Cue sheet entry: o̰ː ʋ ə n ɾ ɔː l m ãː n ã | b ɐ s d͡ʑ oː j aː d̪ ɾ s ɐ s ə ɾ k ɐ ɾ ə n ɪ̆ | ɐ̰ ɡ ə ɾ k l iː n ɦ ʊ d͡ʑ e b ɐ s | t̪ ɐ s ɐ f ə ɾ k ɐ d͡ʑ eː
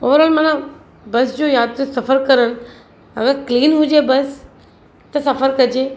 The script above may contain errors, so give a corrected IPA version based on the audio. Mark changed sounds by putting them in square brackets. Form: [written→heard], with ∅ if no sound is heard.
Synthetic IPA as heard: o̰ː ʋ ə [n→∅] ɾ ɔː l m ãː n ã | b ɐ s d͡ʑ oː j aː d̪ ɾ s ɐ [s→f] ə ɾ k ɐ ɾ ə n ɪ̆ | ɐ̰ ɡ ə ɾ k l iː n ɦ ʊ d͡ʑ e b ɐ s | t̪ ɐ s ɐ f ə ɾ k ɐ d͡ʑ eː